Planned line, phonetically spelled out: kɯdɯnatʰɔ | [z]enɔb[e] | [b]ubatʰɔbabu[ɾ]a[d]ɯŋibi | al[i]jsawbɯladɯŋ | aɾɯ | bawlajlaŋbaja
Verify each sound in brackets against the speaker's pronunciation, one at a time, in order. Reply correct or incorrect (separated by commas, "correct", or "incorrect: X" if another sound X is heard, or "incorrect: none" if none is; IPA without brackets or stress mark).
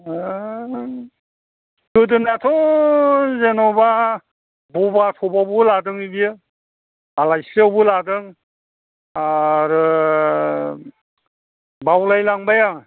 correct, incorrect: a, correct, incorrect: l, correct, incorrect: a